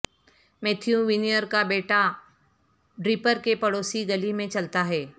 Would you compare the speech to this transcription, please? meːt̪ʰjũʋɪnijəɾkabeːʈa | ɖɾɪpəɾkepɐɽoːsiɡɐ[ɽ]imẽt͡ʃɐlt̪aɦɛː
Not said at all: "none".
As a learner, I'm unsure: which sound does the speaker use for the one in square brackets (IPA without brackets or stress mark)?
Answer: l